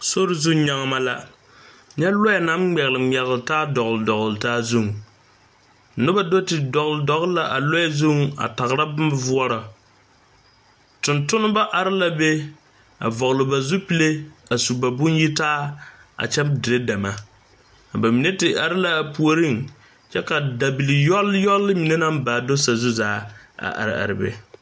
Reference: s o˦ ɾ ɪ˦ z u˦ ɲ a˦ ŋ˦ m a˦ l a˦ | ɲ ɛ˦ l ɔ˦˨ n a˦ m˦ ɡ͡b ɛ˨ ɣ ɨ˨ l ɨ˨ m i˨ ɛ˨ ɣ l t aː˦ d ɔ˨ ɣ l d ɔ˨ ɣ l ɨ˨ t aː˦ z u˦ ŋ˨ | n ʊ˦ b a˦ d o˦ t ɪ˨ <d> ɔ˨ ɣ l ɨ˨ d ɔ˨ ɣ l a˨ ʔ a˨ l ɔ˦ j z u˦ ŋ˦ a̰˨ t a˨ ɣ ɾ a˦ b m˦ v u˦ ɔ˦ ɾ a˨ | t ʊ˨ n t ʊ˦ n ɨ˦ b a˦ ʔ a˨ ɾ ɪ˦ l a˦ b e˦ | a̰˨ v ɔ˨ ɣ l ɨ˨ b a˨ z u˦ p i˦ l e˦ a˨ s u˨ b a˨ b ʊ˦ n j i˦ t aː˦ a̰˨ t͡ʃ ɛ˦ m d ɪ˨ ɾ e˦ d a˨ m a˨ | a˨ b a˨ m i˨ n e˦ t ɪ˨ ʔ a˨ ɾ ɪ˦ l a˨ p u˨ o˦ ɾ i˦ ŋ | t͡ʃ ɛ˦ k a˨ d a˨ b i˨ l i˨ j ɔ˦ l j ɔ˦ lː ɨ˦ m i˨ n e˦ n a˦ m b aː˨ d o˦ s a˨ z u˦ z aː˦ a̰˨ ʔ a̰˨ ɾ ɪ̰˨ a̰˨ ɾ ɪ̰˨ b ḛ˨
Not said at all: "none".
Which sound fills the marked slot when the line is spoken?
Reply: d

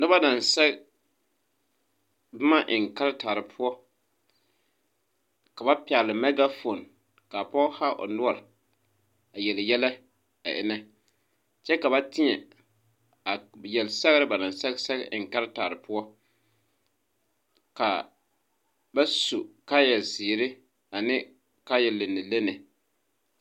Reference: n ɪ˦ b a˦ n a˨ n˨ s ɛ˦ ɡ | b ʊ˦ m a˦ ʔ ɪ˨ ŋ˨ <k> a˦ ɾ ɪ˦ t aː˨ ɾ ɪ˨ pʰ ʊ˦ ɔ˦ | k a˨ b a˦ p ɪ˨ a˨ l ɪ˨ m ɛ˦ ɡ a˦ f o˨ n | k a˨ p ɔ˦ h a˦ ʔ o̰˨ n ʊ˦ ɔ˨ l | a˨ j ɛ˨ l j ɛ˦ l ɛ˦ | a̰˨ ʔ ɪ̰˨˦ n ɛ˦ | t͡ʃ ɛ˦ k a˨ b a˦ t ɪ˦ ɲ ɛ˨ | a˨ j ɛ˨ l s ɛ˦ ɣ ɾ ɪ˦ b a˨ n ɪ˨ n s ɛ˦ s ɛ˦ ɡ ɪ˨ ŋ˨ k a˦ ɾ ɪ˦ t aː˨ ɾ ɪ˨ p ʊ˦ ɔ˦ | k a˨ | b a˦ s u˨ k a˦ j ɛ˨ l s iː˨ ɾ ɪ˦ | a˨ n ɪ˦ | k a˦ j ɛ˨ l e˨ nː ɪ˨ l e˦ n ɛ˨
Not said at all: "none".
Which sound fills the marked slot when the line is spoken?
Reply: k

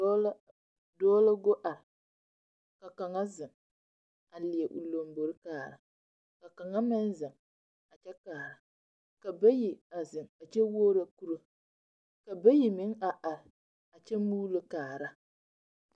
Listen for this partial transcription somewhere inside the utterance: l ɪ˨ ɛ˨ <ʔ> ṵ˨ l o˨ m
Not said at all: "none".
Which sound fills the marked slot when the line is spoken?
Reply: ʔ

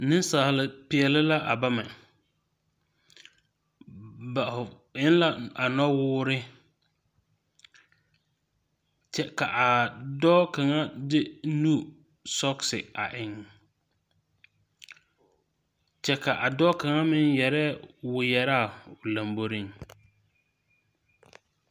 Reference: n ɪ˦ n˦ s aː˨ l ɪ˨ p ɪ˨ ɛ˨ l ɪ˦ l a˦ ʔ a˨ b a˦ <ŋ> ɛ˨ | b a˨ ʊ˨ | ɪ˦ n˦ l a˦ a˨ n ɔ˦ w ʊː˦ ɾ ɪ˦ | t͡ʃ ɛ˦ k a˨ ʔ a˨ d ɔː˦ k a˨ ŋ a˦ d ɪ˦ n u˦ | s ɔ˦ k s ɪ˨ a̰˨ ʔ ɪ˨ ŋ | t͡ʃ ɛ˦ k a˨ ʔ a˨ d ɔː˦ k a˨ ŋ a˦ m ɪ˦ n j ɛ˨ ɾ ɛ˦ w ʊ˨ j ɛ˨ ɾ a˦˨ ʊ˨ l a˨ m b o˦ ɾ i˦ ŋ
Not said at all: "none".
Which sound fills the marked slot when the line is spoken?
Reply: m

